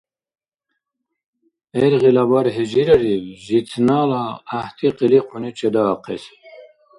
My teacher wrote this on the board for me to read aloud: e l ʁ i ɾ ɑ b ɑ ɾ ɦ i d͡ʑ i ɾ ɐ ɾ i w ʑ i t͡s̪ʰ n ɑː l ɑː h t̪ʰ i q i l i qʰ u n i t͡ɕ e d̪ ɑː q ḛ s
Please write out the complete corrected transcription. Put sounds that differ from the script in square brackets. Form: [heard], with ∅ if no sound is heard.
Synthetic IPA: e [ɾ] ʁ i [l] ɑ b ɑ ɾ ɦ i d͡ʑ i ɾ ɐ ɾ i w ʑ i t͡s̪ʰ n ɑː l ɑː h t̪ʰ i q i l i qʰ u n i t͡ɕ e d̪ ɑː q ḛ s